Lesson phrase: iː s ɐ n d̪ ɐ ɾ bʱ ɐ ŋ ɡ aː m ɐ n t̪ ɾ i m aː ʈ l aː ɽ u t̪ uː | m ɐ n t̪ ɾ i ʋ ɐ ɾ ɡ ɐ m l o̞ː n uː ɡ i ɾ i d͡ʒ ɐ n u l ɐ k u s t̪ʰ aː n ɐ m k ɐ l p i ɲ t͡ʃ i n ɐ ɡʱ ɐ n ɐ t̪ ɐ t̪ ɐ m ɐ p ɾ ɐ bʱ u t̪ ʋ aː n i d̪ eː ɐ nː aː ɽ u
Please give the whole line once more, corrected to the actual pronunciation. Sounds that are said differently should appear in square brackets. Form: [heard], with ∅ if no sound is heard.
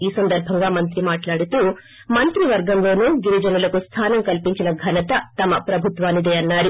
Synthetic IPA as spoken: iː s ɐ n d̪ ɐ ɾ bʱ ɐ ŋ ɡ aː m ɐ n t̪ ɾ i m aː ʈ l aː ɽ u t̪ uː | m ɐ n t̪ ɾ i ʋ ɐ ɾ ɡ ɐ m l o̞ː n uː ɡ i ɾ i d͡ʒ ɐ n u l ɐ k u s t̪ʰ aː n ɐ m k ɐ l p i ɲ t͡ʃ i n ɐ ɡʱ ɐ n ɐ t̪ ɐ t̪ ɐ m ɐ p ɾ ɐ bʱ u t̪ ʋ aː n i d̪ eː ɐ nː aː [ɾ] u

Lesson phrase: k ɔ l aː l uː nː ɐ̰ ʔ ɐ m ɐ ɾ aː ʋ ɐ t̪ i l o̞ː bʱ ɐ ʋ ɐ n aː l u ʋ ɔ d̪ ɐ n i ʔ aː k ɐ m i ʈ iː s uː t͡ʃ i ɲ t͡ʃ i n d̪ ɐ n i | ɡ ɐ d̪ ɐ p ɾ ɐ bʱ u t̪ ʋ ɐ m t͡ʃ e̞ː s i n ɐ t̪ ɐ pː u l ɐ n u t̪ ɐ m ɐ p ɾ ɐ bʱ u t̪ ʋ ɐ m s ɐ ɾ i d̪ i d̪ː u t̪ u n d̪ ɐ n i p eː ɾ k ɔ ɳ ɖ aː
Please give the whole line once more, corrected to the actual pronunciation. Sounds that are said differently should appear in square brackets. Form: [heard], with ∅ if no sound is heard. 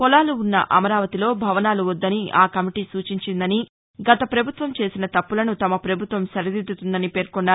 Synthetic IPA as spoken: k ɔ l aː l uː nː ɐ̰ ʔ ɐ m ɐ ɾ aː ʋ ɐ t̪ i l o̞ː bʱ ɐ ʋ ɐ n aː l u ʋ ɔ [d̪ː] ɐ n i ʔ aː k ɐ m i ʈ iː s uː t͡ʃ i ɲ t͡ʃ i n d̪ ɐ n i | ɡ ɐ [t̪] ɐ p ɾ ɐ bʱ u t̪ ʋ ɐ m t͡ʃ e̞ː s i n ɐ t̪ ɐ pː u l ɐ n u t̪ ɐ m ɐ p ɾ ɐ bʱ u t̪ ʋ ɐ m s ɐ ɾ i d̪ i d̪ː u t̪ u n d̪ ɐ n i p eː ɾ k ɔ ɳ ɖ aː

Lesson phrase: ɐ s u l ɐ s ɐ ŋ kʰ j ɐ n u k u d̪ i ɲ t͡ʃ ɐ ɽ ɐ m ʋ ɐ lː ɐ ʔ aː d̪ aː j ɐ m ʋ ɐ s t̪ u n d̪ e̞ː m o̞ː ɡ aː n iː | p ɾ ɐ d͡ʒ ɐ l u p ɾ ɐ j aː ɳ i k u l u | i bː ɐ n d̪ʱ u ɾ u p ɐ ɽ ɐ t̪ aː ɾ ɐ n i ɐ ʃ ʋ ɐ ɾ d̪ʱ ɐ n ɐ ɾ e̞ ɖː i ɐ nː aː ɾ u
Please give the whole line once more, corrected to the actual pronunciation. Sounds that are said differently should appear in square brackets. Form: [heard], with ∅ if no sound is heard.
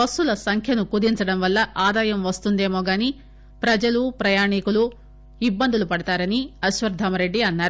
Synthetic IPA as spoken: ɐ s u l ɐ s ɐ ŋ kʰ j ɐ n u k u d̪ i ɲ t͡ʃ ɐ ɽ ɐ m ʋ ɐ lː ɐ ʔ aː d̪ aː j ɐ m ʋ ɐ s t̪ u n d̪ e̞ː m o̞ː ɡ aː n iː | p ɾ ɐ d͡ʒ ɐ l u p ɾ ɐ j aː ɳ i k u l u | i bː ɐ n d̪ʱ u [l] u p ɐ ɽ ɐ t̪ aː ɾ ɐ n i ɐ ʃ ʋ ɐ ɾ d̪ʱ ɐ [m] ɐ ɾ e̞ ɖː i ɐ nː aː ɾ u

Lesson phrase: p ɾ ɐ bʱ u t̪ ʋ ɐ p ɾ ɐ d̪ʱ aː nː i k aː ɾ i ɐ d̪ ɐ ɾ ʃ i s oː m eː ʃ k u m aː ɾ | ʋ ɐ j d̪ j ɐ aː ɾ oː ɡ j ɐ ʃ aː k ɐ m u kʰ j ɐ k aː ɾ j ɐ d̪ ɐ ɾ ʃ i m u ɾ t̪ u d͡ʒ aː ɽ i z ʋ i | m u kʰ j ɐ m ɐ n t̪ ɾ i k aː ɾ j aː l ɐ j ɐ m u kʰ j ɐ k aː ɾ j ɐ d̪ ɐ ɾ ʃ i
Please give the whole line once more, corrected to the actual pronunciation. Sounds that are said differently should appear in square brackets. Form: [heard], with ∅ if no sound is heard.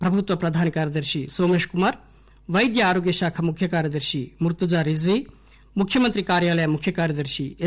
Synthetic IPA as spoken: p ɾ ɐ bʱ u t̪ ʋ ɐ p ɾ ɐ d̪ʱ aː [n] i k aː ɾ [j] ɐ d̪ ɐ ɾ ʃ i s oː m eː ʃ k u m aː ɾ | ʋ ɐ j d̪ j ɐ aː ɾ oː ɡ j ɐ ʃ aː [kʰ] ɐ m u kʰ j ɐ k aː ɾ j ɐ d̪ ɐ ɾ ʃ i m u ɾ t̪ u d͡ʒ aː [ɾ] i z ʋ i | m u kʰ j ɐ m ɐ n t̪ ɾ i k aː ɾ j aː l ɐ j ɐ m u kʰ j ɐ k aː ɾ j ɐ d̪ ɐ ɾ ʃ i

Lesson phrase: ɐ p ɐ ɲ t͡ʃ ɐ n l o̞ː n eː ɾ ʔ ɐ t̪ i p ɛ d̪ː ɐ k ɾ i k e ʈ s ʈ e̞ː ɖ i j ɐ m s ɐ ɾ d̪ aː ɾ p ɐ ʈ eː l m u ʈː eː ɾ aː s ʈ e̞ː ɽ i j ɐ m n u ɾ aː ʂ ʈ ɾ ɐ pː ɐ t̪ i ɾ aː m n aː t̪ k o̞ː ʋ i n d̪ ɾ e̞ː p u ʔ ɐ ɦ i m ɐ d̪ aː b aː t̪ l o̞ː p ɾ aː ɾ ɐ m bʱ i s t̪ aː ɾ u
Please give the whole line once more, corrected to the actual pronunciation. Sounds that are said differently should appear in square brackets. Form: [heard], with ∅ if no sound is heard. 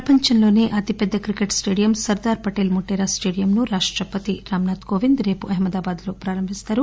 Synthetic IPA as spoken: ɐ p ɐ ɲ t͡ʃ ɐ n l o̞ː n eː [∅] ʔ ɐ t̪ i p ɛ d̪ː ɐ k ɾ i k e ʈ s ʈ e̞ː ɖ i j ɐ m s ɐ ɾ d̪ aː ɾ p ɐ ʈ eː l m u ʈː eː ɾ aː s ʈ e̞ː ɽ i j ɐ m n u ɾ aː ʂ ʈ ɾ ɐ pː ɐ t̪ i ɾ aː m n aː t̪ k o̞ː ʋ i n d̪ ɾ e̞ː p u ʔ ɐ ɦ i m ɐ d̪ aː b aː [d̪] l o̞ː p ɾ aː ɾ ɐ m bʱ i s t̪ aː ɾ u

